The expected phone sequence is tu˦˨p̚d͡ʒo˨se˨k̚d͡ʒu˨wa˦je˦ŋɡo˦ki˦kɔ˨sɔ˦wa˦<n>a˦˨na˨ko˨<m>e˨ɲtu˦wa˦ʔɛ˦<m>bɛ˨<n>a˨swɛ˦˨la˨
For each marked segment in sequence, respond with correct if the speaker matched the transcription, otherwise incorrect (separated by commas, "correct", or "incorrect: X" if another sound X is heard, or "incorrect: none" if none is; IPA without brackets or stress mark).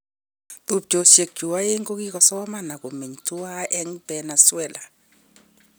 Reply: incorrect: m, correct, incorrect: ŋ, correct